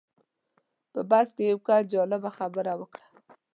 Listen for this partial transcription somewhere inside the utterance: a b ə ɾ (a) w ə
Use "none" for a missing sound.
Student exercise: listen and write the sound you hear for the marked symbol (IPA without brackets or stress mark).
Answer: a